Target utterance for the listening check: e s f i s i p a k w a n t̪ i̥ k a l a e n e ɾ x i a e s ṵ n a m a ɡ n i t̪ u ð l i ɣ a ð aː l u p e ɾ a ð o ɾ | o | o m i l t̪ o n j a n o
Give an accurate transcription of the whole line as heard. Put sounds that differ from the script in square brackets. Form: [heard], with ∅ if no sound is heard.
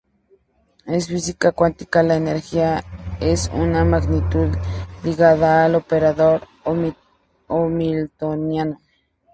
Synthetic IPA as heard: e s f i s i [k] a k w a n t̪ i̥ k a l a e n e ɾ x i a e s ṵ n a m a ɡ n i t̪ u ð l i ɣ a ð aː l [o] p e ɾ a ð o ɾ | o | o m i l t̪ o n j a n o